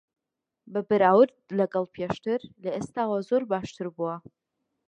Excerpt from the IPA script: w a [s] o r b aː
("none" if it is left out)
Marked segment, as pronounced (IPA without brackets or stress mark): z